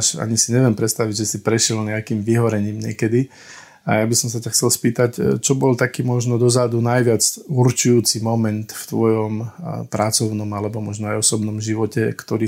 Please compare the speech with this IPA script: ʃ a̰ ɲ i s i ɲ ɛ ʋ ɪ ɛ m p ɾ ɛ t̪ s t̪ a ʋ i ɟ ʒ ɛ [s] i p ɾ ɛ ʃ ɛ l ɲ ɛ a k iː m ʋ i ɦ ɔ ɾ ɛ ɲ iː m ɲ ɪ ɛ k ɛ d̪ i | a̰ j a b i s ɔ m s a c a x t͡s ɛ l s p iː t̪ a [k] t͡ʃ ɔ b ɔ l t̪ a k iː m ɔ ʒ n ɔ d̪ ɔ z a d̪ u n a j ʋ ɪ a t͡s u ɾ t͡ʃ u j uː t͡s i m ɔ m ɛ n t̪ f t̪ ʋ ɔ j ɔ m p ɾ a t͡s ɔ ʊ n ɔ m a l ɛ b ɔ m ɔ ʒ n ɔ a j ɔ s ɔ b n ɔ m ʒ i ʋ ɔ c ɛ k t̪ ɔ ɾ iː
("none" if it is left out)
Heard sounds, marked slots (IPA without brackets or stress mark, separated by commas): s, c